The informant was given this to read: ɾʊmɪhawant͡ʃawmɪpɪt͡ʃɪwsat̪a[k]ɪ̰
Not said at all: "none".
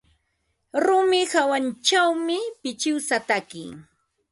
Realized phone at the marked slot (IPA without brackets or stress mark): k